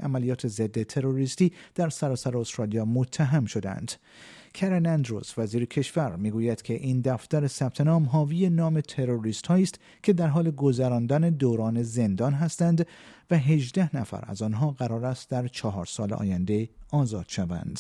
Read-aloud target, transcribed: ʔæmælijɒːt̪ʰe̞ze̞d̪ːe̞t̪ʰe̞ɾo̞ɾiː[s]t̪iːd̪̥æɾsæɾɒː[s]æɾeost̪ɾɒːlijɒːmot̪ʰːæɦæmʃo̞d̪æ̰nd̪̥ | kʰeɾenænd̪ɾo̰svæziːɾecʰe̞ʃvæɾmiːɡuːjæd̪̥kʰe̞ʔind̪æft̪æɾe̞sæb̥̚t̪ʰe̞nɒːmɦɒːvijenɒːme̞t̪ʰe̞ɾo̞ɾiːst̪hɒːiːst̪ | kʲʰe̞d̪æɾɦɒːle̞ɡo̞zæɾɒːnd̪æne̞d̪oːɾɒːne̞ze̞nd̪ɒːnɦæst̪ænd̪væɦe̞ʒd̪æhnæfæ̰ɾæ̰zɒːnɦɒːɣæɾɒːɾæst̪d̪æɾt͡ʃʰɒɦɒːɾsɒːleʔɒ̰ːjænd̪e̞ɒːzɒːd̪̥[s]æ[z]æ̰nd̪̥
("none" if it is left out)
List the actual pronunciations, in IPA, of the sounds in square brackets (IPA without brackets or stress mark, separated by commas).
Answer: s, s, ʃ, v